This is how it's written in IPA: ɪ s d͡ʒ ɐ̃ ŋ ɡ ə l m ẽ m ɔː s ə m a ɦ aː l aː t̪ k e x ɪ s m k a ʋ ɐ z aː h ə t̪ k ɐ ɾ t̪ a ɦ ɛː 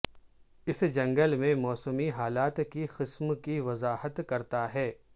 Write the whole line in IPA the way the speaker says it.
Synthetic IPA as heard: ɪ s d͡ʒ ɐ̃ ŋ ɡ ə l m ẽ m ɔː s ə m i ɦ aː l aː t̪ k i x ɪ s m k i ʋ ɐ z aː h ə t̪ k ɐ ɾ t̪ a ɦ ɛː

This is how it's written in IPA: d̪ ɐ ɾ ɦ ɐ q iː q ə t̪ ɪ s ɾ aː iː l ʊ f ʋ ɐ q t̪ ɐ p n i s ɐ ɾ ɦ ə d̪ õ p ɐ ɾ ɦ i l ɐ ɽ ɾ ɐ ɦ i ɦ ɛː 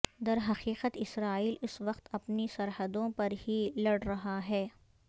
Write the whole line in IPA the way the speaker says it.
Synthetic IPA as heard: d̪ ɐ ɾ ɦ ɐ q iː q ə t̪ ɪ s ɾ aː iː l ʊ s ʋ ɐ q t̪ ɐ p n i s ɐ ɾ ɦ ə d̪ õ p ɐ ɾ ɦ i l ɐ ɽ ɾ ɐ ɦ a ɦ ɛː

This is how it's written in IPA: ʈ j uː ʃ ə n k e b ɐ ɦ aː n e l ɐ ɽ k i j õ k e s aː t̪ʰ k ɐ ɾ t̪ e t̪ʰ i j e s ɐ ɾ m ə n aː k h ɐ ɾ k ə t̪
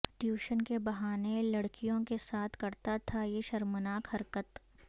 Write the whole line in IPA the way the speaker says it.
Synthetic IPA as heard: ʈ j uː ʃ ə n k e b ɐ ɦ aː n e l ɐ ɽ k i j õ k e s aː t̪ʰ k ɐ ɾ t̪ a t̪ʰ a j e ʃ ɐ ɾ m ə n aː k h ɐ ɾ k ə t̪

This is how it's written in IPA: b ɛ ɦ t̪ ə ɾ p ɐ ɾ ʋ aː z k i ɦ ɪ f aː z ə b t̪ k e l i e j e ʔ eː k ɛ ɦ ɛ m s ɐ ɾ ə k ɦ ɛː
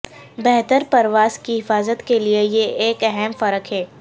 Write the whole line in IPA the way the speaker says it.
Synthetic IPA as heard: b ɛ ɦ t̪ ə ɾ p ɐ ɾ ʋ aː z k i ɦ ɪ f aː z ə t̪ k e l i e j e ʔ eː k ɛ ɦ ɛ m f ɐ ɾ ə k ɦ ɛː

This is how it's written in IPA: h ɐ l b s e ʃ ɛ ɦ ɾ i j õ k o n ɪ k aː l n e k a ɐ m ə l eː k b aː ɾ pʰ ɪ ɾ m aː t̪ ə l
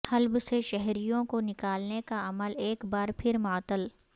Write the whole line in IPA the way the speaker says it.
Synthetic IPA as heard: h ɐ l b s e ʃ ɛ ɦ ɾ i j õ k o n ɪ k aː l n e k a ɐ m ə l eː k b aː ɾ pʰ ɪ ɾ m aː t̪ ə l

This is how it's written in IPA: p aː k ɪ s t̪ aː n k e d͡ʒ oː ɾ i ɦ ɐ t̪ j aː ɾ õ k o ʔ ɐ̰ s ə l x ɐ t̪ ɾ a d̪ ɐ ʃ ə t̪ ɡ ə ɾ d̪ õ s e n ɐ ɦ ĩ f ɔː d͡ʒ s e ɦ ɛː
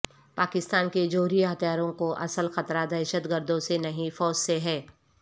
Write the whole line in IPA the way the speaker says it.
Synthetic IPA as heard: p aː k ɪ s t̪ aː n k e d͡ʒ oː ɾ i ɦ ɐ t̪ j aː ɾ õ k o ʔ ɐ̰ s ə l x ɐ t̪ ɾ a d̪ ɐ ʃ ə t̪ ɡ ə ɾ d̪ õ s e n ɐ ɦ ĩ f ɔː d͡ʒ s e ɦ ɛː

